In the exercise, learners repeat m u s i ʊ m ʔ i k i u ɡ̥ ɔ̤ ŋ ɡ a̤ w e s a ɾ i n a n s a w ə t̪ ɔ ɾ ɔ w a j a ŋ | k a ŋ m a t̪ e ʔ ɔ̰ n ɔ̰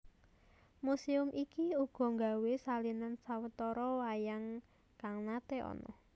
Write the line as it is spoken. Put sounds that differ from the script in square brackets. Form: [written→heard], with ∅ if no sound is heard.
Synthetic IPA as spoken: m u s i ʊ m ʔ i k i u ɡ̥ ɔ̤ ŋ ɡ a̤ w e s a [ɾ→l] i n a n s a w ə t̪ ɔ ɾ ɔ w a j a ŋ | k a ŋ [m→n] a t̪ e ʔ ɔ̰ n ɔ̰